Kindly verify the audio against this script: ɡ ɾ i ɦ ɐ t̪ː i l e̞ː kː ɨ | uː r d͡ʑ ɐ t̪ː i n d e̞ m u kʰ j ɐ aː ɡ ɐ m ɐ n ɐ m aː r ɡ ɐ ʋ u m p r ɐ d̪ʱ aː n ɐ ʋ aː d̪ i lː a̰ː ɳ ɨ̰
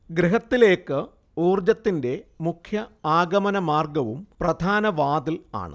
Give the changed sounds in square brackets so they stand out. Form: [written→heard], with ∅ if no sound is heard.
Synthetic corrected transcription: ɡ ɾ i ɦ ɐ t̪ː i l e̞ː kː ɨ | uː r d͡ʑ ɐ t̪ː i n d e̞ m u kʰ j ɐ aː ɡ ɐ m ɐ n ɐ m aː r ɡ ɐ ʋ u m p r ɐ d̪ʱ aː n ɐ ʋ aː d̪ i [lː→l] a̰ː ɳ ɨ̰